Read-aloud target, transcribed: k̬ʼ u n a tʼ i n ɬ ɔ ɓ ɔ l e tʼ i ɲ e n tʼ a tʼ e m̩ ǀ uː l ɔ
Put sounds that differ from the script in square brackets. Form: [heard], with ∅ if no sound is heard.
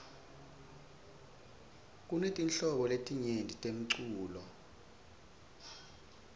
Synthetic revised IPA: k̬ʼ u n [e] tʼ i n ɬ ɔ ɓ ɔ l e tʼ i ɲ e n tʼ [i] tʼ e m̩ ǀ uː l ɔ